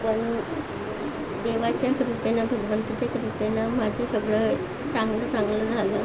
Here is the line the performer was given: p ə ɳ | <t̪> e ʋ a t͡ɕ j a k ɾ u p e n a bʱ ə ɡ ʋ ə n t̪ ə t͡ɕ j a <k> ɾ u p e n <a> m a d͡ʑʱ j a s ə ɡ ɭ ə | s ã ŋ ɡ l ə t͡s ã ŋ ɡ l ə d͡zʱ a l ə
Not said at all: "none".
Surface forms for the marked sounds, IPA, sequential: d̪, k, a

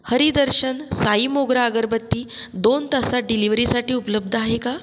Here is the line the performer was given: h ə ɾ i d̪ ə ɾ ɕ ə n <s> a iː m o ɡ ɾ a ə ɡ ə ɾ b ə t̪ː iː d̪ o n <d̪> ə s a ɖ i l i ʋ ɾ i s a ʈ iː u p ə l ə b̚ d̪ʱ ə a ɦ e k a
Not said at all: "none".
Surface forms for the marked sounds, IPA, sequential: s, t̪

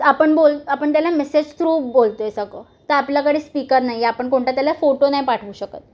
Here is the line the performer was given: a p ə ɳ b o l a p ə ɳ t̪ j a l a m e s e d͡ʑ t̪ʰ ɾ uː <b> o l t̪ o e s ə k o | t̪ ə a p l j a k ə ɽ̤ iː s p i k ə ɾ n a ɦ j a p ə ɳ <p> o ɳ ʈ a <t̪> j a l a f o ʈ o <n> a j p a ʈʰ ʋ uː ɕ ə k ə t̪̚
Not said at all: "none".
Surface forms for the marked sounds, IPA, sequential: b, k, t̪, n

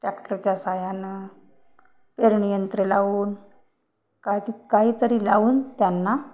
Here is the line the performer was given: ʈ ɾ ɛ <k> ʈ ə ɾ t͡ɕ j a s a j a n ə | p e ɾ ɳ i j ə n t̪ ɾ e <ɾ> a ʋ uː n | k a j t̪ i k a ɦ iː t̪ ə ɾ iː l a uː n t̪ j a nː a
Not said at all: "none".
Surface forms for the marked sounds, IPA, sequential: k, l

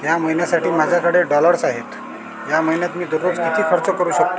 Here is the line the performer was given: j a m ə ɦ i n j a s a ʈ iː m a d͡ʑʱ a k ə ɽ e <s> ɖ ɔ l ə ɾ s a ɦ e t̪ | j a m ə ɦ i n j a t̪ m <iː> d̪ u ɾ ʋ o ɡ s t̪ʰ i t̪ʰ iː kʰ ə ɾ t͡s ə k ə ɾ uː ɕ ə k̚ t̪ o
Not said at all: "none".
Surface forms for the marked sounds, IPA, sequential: none, iː

